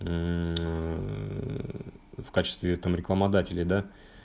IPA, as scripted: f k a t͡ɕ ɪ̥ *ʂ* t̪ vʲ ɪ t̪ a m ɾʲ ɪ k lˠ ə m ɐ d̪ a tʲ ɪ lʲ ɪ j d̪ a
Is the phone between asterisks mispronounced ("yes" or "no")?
yes